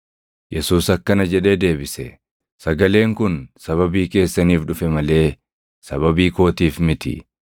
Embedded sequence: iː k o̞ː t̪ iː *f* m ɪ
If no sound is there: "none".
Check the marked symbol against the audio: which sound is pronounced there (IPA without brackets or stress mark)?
f